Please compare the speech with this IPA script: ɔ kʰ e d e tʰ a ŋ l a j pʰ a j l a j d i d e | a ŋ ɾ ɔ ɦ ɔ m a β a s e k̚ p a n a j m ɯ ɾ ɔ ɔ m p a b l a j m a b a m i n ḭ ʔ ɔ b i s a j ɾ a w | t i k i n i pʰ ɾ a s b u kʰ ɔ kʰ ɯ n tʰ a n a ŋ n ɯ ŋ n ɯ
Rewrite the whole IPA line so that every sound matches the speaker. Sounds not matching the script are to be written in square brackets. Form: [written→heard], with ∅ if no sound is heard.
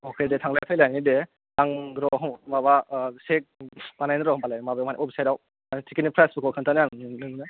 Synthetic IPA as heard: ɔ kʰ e d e tʰ a ŋ l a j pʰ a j l a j [d→n] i d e | a ŋ ɾ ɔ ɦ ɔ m a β a s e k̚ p a n a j [m→n] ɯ ɾ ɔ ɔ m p a [b→∅] l a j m a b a m [i→a] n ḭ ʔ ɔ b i s a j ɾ a w | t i k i n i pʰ ɾ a s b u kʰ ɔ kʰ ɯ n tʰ a n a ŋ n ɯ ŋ n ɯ